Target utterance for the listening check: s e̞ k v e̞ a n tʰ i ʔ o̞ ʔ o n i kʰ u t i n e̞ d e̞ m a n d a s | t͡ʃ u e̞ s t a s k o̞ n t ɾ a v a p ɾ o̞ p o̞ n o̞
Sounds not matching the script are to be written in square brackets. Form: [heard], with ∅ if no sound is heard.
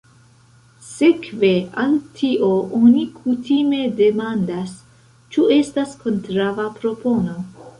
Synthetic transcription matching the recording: s e̞ k v e̞ a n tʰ i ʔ o̞ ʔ o n i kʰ u t i [m] e̞ d e̞ m a n d a s | t͡ʃ u e̞ s t a s k o̞ n t ɾ a v a p ɾ o̞ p o̞ n o̞